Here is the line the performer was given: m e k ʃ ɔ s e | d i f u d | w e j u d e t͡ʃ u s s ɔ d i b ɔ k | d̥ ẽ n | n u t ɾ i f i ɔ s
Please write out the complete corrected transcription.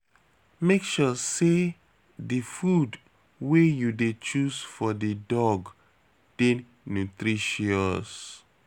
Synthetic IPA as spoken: m e k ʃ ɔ s e | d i f u d | w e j u d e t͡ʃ u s f ɔ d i d ɔ ɡ | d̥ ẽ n | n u t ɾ i ʃ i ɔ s